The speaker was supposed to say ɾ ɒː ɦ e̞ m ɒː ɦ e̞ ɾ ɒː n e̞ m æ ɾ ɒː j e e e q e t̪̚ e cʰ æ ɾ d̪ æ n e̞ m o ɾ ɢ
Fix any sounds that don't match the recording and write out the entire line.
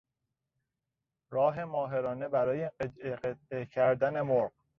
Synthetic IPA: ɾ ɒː ɦ e̞ m ɒː ɦ e̞ ɾ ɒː n e̞ b æ ɾ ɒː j e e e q e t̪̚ e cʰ æ ɾ d̪ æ n e̞ m o ɾ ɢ

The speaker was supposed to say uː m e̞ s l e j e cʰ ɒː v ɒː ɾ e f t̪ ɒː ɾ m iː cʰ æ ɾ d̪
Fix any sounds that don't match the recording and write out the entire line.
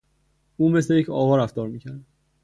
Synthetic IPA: uː m e̞ s l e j e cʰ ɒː v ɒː ɾ æ f t̪ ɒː ɾ m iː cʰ æ ɾ d̪

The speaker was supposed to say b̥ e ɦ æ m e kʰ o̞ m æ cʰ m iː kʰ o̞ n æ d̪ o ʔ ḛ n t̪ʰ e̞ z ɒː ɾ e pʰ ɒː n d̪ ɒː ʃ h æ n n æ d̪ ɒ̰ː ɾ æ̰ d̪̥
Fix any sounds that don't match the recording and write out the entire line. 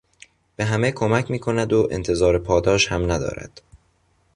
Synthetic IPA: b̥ e ɦ æ m e kʰ o̞ m æ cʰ m iː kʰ o̞ n æ d̪ o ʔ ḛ n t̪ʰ e̞ z ɒː ɾ e pʰ ɒː d̪ ɒː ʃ h æ m n æ d̪ ɒ̰ː ɾ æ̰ d̪̥

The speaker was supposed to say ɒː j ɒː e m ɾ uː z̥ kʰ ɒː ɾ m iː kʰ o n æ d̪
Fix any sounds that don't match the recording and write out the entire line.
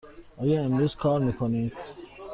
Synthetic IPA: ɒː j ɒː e m ɾ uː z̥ kʰ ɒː ɾ m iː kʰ o n i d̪

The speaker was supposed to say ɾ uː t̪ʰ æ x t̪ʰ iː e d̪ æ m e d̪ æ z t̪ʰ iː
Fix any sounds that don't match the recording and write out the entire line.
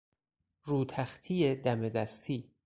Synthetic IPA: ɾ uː t̪ʰ æ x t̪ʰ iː e d̪ æ m e d̪ æ s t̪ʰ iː

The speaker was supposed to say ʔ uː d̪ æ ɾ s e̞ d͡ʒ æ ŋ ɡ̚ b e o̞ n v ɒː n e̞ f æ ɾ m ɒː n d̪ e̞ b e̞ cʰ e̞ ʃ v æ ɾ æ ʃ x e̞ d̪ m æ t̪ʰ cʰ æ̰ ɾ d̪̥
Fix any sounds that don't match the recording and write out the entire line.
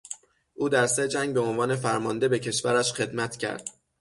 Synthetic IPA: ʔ uː d̪ æ ɾ s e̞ d͡ʒ æ ŋ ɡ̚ b e o̞ n v ɒː n e̞ f æ ɾ m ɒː n d̪ e̞ b e̞ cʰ e̞ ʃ v æ ɾ æ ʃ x e̞ d̪ m æ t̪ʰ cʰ æ̰ ɾ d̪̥

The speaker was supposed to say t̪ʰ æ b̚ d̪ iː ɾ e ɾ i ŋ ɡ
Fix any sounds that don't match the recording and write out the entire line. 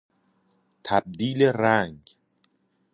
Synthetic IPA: t̪ʰ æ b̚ d̪ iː l e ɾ æ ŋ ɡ

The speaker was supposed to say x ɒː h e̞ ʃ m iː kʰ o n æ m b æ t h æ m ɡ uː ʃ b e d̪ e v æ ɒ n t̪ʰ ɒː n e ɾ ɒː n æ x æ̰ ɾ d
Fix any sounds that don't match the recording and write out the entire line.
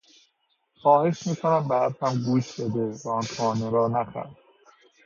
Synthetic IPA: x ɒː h e̞ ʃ m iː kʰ o n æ m b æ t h æ m ɡ uː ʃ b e d̪ e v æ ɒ n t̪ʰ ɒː n e ɾ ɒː n æ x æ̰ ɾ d

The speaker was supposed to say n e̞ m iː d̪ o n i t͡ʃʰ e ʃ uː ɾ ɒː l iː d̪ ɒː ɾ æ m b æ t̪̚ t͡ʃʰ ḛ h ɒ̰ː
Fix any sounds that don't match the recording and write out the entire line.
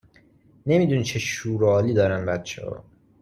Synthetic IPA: n e̞ m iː d̪ u n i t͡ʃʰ e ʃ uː ɾ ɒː l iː d̪ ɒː ɾ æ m b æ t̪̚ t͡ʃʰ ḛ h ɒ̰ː

